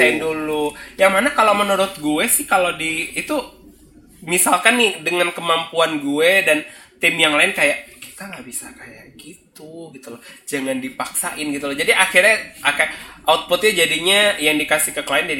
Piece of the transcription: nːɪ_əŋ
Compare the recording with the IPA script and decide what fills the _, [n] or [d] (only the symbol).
d